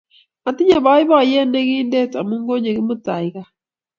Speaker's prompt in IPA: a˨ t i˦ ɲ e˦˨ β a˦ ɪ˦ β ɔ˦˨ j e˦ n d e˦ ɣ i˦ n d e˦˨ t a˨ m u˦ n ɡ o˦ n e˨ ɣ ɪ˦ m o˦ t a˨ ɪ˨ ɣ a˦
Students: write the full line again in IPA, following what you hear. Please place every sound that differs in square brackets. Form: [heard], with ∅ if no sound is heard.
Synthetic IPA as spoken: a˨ t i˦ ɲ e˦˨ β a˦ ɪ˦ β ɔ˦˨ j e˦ n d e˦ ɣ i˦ n d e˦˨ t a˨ m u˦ [ŋ] ɡ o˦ [ɲ] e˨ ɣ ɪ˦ m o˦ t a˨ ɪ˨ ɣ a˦

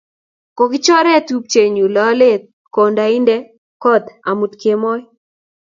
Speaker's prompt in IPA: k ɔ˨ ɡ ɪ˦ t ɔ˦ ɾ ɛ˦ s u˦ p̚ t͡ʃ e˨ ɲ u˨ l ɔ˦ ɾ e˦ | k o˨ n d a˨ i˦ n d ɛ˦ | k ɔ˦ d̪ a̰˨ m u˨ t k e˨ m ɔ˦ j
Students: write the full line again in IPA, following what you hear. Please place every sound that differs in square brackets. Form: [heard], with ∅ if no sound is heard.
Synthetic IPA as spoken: k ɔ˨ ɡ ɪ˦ [t͡ʃ] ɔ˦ ɾ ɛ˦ [t] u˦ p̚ t͡ʃ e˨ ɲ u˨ l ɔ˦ [l] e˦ | k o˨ n d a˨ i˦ n d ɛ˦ | k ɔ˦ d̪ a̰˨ m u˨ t k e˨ m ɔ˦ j

